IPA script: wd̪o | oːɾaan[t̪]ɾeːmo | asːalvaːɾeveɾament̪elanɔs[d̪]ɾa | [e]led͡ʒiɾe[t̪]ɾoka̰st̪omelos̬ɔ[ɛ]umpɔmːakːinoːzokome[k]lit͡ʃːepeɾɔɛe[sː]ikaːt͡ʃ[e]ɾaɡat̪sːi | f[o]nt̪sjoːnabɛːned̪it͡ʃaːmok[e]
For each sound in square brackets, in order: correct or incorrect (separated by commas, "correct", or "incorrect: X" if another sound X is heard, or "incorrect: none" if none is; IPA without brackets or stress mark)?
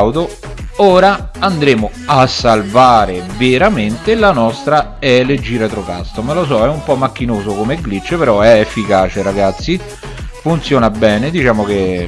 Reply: incorrect: d̪, incorrect: t̪, incorrect: ɛ, correct, correct, incorrect: ɡ, incorrect: fː, correct, incorrect: u, correct